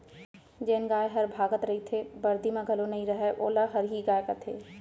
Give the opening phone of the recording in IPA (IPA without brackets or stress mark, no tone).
d͡ʒ